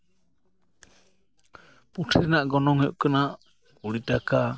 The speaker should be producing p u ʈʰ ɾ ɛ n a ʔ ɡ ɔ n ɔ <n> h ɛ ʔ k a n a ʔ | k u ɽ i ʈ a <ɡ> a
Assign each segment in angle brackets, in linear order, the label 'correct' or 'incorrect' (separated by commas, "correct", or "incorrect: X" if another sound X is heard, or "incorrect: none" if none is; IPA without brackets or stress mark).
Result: incorrect: ŋ, incorrect: k